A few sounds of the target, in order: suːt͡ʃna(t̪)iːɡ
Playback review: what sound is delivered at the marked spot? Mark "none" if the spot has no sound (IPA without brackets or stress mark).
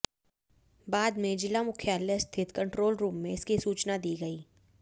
d̪